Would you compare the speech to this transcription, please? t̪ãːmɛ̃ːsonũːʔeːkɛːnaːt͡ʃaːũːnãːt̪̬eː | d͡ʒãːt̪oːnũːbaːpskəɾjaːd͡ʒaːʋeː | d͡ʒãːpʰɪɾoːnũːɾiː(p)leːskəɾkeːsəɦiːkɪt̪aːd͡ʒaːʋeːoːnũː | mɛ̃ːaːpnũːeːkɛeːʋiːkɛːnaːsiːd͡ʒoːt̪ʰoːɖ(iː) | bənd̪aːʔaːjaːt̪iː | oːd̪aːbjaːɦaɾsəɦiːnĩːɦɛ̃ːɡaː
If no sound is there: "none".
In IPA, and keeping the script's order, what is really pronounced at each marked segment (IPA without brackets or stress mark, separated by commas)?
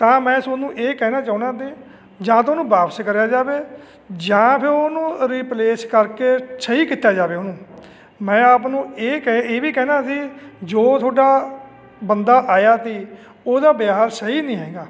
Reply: p, aː